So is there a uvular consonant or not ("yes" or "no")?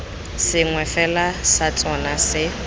no